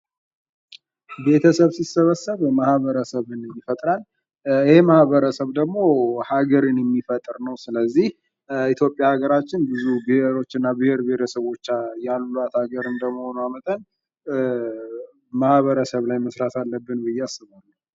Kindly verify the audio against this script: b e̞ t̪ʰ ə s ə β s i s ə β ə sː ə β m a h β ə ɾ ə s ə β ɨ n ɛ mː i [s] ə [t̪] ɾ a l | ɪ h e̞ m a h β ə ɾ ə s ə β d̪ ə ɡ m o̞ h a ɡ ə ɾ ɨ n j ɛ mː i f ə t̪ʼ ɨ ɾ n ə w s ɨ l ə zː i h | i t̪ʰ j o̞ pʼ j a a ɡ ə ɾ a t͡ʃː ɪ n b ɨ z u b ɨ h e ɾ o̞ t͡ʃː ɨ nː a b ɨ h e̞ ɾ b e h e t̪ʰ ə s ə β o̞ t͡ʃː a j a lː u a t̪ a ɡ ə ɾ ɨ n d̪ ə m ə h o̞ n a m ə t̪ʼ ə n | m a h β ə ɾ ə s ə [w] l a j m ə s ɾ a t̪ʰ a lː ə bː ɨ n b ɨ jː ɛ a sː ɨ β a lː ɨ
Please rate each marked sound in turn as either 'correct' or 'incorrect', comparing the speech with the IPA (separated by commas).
incorrect, incorrect, incorrect